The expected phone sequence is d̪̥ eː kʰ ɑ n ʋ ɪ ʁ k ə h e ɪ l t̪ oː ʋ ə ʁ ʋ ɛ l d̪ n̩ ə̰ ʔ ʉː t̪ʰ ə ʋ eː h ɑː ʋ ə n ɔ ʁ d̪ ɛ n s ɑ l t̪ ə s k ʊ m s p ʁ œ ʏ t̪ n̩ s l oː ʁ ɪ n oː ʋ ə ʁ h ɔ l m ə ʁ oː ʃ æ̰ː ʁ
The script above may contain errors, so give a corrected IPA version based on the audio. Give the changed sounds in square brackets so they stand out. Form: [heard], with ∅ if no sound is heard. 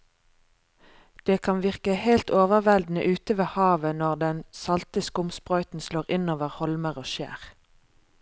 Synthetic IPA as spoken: d̪̥ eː kʰ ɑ n ʋ ɪ ʁ k ə h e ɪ l t̪ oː ʋ ə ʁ ʋ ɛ l d̪ n̩ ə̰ ʔ ʉː [t̪] ə ʋ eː h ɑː ʋ ə n ɔ ʁ d̪ ɛ n s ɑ l t̪ ə s k ʊ m s p ʁ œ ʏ t̪ n̩ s l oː ʁ ɪ n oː ʋ ə ʁ h ɔ l m ə ʁ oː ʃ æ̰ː ʁ